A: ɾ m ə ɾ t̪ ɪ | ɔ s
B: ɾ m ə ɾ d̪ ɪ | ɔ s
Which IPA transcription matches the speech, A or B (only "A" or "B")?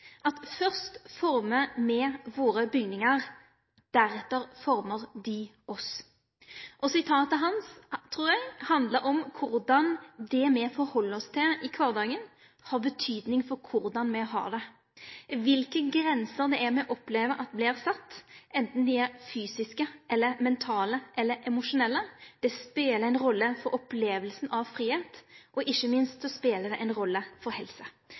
B